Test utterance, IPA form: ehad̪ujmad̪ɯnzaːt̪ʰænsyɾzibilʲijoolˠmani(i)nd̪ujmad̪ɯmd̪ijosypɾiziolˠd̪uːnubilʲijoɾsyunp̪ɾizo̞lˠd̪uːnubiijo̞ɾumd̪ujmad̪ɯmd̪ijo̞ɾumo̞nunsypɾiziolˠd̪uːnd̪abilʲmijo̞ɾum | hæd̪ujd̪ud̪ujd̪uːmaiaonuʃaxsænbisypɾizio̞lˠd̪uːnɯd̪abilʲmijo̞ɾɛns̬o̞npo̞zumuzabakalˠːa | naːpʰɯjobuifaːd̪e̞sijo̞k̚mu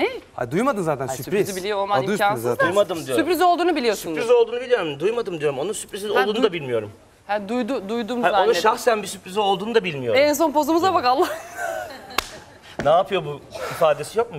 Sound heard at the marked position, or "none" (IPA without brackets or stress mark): a